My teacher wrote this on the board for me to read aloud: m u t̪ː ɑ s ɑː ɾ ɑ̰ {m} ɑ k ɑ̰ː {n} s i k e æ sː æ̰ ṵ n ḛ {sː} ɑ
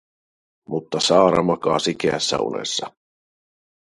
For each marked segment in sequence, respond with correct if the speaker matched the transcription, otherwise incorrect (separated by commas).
correct, incorrect, correct